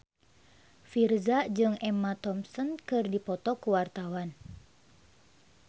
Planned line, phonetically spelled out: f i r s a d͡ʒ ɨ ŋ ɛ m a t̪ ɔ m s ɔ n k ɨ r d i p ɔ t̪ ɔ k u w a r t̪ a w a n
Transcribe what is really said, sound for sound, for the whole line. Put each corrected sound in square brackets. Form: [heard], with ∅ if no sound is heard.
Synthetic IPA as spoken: f i r [z] a d͡ʒ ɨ ŋ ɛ m a t̪ ɔ m s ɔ n k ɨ r d i p ɔ t̪ ɔ k u w a r t̪ a w a n

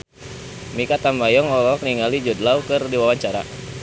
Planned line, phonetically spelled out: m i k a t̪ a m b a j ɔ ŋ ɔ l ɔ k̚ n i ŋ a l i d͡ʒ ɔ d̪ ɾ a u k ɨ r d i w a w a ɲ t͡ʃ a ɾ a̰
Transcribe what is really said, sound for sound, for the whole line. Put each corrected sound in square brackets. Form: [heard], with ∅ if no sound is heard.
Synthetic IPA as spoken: m i k a t̪ a m b a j ɔ ŋ ɔ l ɔ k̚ n i ŋ a l i d͡ʒ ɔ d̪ [l] a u k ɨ r d i w a w a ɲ t͡ʃ a ɾ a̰

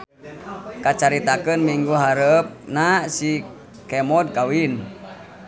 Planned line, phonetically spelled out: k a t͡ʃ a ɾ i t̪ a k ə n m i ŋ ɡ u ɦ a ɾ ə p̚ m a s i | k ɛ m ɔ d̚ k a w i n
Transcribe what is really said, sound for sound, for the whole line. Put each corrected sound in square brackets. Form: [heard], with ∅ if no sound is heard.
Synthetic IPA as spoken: k a t͡ʃ a ɾ i t̪ a k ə n m i ŋ ɡ u ɦ a ɾ ə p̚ [n] a s i | k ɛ m ɔ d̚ k a w i n

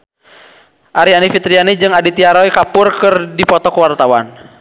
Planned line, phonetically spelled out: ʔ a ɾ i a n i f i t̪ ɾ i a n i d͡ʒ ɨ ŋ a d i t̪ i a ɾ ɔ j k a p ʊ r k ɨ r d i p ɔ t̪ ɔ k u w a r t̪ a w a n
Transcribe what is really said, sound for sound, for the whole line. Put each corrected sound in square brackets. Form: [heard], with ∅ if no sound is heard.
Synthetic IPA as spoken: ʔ a ɾ i a n i f i t̪ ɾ i a n i d͡ʒ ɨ ŋ a d i t̪ i a ɾ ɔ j k a p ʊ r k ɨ r d i p ɔ t̪ ɔ k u w a r t̪ a w a n

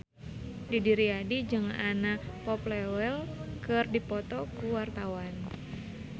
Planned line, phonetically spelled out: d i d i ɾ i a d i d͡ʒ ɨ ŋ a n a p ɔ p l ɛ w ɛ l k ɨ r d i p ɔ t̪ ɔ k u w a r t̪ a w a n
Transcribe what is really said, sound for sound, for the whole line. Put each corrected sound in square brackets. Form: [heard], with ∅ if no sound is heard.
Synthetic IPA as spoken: d i d i ɾ i a d i d͡ʒ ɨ ŋ a n a p ɔ p l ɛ w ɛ l k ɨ r d i p ɔ t̪ ɔ k u w a r t̪ a w a n

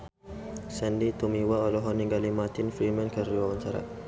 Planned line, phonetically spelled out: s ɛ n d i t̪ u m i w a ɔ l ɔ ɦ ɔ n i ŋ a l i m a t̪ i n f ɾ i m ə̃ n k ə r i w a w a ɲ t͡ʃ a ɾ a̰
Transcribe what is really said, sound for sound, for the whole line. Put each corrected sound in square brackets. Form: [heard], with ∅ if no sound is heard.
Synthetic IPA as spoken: s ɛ n d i t̪ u m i w a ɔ l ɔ ɦ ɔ n i [ɡ] a l i m a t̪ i n f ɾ i m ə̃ n k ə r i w a w a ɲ t͡ʃ a ɾ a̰

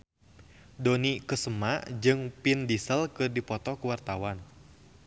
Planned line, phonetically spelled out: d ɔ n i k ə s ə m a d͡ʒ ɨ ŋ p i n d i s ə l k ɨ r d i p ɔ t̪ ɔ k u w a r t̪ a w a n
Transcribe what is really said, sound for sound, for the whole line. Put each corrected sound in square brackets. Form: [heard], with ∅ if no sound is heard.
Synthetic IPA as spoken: d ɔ n i k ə s ə m a d͡ʒ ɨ ŋ p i n d i s ə l k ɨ r d i p ɔ t̪ ɔ k u w a r t̪ a w a n

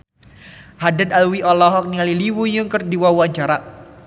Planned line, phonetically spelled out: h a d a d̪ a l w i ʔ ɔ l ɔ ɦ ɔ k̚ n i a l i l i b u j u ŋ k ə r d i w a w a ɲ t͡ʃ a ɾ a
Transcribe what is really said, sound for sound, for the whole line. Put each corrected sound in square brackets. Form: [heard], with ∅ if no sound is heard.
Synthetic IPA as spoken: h a d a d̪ a l w i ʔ ɔ l ɔ ɦ ɔ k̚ n i a l i l i [w] u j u ŋ k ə r d i w a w a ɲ t͡ʃ a ɾ a

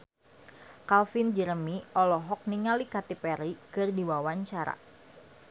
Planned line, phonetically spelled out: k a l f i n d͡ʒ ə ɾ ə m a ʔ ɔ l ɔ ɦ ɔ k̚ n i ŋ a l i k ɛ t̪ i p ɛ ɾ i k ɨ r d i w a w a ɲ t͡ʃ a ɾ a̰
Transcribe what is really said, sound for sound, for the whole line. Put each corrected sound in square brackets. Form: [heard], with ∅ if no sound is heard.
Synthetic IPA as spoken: k a l f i n d͡ʒ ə ɾ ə m [i] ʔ ɔ l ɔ ɦ ɔ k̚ n i ŋ a l i k [a] t̪ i p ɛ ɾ i k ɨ r d i w a w a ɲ t͡ʃ a ɾ a̰

